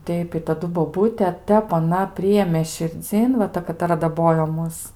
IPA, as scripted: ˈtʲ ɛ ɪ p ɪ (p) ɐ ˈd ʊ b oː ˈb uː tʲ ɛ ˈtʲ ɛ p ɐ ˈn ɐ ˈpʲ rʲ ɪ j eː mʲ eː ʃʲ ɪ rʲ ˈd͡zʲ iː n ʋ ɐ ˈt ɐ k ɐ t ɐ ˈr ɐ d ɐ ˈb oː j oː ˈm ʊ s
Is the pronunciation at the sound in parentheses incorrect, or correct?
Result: incorrect